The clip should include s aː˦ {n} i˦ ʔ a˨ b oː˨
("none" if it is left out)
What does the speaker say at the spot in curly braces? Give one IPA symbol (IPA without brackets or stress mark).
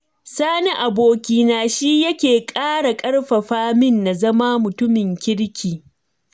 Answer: n